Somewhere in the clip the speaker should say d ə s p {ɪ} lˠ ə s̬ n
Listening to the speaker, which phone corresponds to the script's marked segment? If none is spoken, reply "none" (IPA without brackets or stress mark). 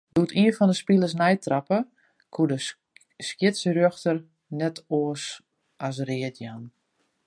i